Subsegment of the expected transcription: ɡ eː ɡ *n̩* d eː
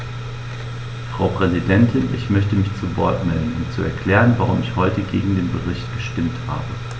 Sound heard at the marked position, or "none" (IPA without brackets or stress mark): ŋ̩